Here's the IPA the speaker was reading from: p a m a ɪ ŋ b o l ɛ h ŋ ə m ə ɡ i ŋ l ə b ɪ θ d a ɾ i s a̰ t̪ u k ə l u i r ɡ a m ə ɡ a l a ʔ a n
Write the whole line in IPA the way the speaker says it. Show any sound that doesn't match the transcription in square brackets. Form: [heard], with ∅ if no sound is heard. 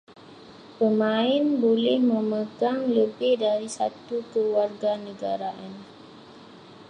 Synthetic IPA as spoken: p [ə] m a ɪ [n] b o l ɛ h [m] ə m ə ɡ [a] ŋ l ə b ɪ [h] d a ɾ i s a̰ t̪ u k ə l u [a] r ɡ a [n] ə ɡ a [ɾ] a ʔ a n

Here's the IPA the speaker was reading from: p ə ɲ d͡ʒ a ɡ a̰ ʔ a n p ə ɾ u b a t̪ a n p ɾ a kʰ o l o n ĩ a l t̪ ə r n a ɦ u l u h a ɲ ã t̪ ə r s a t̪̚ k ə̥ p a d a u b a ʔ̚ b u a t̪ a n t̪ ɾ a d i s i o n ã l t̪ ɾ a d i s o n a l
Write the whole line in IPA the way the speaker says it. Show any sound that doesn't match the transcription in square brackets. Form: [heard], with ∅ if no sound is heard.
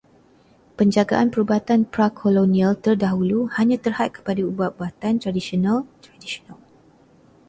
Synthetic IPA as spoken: p ə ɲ d͡ʒ a ɡ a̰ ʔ a n p ə ɾ u b a t̪ a n p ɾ a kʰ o l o n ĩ a l t̪ ə r [d] a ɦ u l u h a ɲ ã t̪ ə r [h] a t̪̚ k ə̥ p a d a u b a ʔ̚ b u a t̪ a n t̪ ɾ a d i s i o n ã l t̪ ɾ a d i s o n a l

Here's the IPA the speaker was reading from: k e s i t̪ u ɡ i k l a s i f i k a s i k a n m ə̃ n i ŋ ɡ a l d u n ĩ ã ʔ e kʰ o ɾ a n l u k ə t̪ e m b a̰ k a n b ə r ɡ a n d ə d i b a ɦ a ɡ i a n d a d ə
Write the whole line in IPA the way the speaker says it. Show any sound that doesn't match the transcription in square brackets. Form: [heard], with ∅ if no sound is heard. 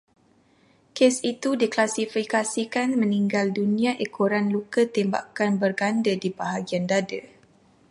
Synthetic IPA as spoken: k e s i t̪ u [d] i k l a s i f i k a s i k a n m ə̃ n i ŋ ɡ a l d u n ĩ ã ʔ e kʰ o ɾ a n l u k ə t̪ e m b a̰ k a n b ə r ɡ a n d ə d i b a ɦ a ɡ i a n d a d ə

